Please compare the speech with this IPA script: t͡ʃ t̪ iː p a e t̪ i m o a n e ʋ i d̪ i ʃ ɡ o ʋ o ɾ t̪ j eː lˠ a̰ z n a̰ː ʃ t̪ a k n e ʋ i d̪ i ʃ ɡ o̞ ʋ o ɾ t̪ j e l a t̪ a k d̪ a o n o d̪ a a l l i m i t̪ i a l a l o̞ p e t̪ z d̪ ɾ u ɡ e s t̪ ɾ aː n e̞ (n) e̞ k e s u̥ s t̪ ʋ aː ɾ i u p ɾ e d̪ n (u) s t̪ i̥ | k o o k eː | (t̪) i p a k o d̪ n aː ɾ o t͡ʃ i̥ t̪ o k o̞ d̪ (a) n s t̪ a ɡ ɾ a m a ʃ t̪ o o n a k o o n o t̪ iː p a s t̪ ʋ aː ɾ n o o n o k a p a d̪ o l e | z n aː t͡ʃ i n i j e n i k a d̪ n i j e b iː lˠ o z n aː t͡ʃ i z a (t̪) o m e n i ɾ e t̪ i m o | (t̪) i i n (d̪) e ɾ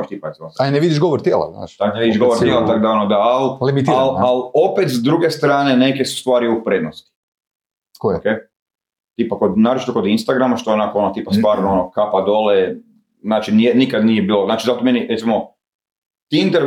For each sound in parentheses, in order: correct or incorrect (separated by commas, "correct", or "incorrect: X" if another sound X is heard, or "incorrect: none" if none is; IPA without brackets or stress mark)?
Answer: correct, incorrect: o, correct, incorrect: i, correct, correct, incorrect: t̪